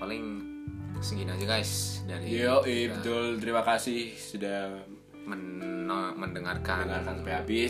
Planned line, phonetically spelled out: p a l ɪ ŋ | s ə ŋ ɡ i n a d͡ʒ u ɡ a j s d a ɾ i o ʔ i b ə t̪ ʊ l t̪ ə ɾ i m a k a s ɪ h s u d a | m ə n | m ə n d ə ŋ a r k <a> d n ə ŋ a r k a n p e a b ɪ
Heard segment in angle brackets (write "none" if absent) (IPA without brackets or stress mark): a